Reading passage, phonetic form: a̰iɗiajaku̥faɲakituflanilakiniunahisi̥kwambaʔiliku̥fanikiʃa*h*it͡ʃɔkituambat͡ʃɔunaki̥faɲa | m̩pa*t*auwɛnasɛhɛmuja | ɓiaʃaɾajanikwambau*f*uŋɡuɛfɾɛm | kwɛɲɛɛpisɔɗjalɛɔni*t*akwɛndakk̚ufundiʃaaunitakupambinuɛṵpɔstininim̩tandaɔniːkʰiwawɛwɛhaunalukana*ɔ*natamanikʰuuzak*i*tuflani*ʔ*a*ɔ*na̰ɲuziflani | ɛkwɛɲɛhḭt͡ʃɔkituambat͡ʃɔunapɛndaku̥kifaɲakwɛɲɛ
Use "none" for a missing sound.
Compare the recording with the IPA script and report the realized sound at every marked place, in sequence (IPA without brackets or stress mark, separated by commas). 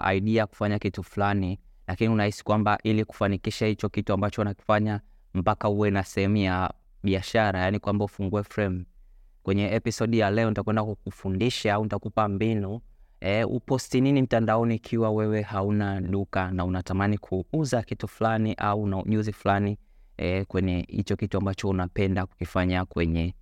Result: h, k, f, t, u, i, ʔ, u